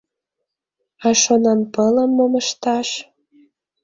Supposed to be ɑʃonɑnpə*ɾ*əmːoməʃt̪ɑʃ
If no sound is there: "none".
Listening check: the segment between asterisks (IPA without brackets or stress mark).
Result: l